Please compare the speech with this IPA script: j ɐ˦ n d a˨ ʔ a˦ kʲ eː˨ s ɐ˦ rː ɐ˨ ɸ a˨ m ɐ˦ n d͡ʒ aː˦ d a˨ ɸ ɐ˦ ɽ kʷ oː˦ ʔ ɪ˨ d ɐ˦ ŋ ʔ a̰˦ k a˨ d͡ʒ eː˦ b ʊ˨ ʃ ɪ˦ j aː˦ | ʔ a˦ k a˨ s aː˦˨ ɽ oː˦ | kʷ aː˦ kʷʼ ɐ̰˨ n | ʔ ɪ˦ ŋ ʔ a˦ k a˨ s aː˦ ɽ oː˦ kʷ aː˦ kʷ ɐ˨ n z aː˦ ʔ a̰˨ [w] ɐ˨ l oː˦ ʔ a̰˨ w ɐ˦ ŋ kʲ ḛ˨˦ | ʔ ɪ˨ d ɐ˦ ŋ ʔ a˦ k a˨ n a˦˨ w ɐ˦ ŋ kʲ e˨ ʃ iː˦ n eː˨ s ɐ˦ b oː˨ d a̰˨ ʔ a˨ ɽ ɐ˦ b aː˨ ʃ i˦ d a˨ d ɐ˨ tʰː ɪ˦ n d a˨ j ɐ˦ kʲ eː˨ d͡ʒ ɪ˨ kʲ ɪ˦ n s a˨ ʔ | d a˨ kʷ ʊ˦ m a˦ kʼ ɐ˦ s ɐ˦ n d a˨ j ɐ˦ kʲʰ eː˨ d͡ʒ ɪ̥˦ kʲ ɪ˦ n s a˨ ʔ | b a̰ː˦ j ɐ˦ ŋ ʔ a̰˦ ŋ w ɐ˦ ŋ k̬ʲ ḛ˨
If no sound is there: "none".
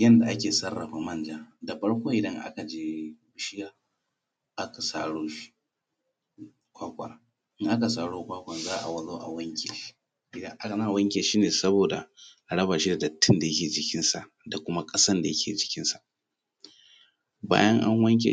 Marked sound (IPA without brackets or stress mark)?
w